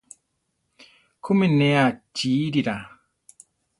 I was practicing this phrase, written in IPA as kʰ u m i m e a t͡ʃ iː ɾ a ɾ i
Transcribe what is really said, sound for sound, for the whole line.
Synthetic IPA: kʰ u m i n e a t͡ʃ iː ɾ i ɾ a